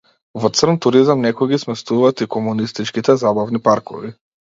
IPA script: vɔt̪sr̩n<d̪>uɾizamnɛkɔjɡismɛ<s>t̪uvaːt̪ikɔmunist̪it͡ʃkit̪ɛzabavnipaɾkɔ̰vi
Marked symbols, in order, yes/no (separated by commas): no, yes